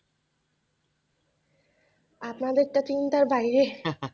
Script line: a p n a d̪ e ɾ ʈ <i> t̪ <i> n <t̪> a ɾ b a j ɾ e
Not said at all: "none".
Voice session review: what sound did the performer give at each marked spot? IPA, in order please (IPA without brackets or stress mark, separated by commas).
a, i, t̪